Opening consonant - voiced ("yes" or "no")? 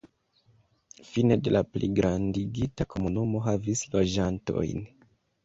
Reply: no